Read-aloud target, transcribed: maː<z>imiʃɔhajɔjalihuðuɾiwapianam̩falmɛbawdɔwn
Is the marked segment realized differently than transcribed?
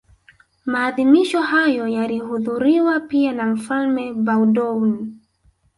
yes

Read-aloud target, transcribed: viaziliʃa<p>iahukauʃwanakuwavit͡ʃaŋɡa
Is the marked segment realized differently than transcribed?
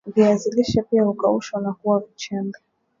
no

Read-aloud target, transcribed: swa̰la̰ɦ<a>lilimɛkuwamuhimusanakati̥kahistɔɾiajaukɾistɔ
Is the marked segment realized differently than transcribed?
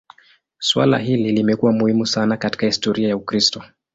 yes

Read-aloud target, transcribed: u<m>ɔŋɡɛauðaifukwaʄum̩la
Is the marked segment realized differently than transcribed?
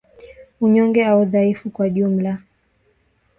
yes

